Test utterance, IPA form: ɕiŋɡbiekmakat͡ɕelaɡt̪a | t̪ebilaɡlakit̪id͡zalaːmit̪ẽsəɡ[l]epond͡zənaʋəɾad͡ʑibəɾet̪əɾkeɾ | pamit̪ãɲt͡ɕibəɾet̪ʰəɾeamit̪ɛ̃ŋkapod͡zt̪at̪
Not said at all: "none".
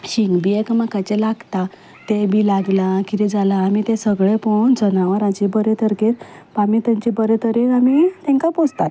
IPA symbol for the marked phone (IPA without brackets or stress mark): ɭ